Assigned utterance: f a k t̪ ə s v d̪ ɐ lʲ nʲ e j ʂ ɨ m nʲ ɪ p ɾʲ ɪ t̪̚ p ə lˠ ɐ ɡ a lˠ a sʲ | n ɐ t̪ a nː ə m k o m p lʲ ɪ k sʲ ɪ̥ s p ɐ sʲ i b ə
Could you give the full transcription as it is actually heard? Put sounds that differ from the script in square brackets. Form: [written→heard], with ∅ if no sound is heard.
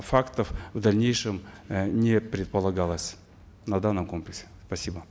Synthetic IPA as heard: f a k t̪ ə [s→f] v d̪ ɐ lʲ nʲ e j ʂ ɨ m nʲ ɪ p ɾʲ ɪ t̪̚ p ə lˠ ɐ ɡ a lˠ [a→ə] sʲ | n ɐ [t̪→d̪] a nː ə m k o m p lʲ ɪ k sʲ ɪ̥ s p ɐ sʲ i b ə